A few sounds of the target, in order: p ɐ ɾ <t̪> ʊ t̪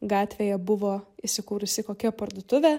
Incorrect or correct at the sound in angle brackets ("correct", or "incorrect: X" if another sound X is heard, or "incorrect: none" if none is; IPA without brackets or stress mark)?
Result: incorrect: d̪